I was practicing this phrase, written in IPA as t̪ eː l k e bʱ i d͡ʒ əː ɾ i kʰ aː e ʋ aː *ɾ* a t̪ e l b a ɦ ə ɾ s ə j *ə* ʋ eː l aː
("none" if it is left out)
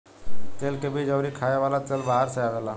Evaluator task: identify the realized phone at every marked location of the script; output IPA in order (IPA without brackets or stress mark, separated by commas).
l, a